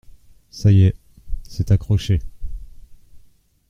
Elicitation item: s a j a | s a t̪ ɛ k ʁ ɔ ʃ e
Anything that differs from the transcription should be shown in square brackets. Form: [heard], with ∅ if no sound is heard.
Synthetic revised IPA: s a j [ɛ] | s [ɛ] t̪ [a] k [χ] ɔ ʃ e